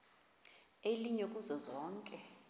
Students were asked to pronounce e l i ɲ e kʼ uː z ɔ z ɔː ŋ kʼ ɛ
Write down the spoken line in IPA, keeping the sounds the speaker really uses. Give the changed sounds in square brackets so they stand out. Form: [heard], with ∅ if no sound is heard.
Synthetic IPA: e l i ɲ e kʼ [u] z ɔ z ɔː ŋ kʼ ɛ